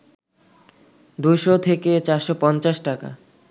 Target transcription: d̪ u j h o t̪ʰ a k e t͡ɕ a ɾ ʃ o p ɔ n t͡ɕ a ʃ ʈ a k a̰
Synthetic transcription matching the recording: d̪ u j ʃ o t̪ʰ e k e t͡ɕ a ɾ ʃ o p ɔ n t͡ɕ a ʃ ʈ a k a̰